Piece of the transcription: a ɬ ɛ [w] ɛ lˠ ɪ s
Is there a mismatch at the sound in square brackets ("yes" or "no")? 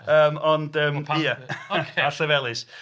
yes